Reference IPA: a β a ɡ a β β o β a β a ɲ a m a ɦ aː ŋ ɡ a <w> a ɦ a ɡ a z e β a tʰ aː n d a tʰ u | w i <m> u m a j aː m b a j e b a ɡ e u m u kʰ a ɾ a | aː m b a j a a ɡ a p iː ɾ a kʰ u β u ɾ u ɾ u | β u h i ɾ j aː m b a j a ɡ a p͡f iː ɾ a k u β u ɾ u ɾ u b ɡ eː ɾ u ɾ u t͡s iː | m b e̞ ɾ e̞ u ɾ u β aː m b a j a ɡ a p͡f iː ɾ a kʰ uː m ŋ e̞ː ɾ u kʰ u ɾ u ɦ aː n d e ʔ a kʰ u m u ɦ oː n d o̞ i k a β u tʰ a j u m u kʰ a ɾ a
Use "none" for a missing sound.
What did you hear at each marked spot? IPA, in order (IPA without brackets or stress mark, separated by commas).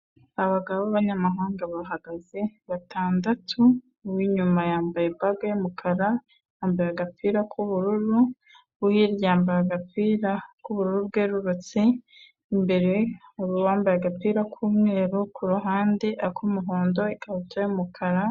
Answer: β, ɲ